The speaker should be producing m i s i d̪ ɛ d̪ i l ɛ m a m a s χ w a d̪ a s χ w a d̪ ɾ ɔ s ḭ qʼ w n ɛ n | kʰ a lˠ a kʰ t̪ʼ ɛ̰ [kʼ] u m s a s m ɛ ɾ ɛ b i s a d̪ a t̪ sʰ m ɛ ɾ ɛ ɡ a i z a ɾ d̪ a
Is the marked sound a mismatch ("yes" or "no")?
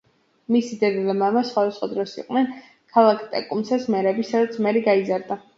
no